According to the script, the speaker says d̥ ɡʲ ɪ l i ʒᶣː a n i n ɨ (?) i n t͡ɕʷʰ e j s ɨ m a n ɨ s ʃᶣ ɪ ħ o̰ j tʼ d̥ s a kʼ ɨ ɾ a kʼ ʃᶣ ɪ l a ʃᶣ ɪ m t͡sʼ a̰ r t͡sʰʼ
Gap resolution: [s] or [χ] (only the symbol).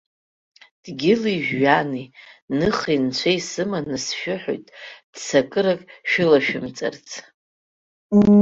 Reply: χ